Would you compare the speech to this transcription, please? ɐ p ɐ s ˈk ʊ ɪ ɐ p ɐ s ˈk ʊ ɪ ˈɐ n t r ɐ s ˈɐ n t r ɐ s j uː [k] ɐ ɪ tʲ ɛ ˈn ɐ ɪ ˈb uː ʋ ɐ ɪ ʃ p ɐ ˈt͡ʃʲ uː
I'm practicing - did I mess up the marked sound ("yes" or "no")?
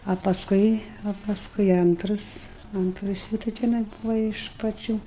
yes